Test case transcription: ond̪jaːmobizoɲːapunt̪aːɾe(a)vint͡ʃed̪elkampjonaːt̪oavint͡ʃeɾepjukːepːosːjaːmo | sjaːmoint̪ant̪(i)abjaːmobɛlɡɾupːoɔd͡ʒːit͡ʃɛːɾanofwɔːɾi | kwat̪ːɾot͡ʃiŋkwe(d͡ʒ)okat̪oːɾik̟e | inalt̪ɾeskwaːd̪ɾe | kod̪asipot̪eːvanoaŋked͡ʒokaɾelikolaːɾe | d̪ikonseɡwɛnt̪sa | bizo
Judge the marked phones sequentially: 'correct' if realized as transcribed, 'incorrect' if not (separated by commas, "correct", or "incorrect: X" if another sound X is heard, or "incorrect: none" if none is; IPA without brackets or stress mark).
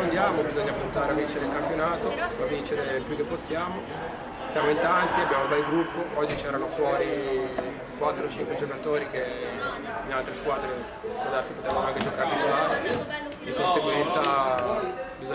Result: correct, correct, correct